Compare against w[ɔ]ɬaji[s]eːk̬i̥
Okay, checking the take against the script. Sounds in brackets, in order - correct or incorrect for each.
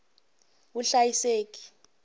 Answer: incorrect: u, correct

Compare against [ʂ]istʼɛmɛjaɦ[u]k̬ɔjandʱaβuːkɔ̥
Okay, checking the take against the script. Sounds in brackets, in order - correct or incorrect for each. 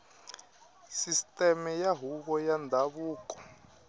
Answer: incorrect: s, correct

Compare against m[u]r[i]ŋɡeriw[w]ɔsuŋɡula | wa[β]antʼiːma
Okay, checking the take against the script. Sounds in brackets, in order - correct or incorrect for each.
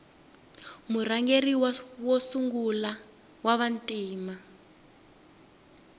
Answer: correct, incorrect: a, correct, correct

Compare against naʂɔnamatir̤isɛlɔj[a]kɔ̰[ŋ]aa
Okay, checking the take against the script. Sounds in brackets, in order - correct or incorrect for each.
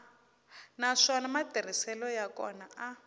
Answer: correct, incorrect: n

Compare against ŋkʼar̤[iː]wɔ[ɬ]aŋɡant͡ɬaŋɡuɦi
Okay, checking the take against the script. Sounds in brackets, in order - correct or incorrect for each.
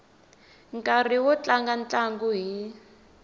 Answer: incorrect: i, incorrect: t͡ɬ

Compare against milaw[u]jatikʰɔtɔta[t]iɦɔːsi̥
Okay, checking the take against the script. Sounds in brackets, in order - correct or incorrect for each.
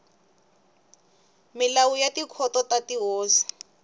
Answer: correct, correct

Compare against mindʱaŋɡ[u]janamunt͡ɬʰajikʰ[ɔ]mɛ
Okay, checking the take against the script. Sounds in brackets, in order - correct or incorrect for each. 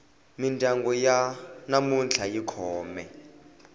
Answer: incorrect: ɔ, incorrect: ɔː

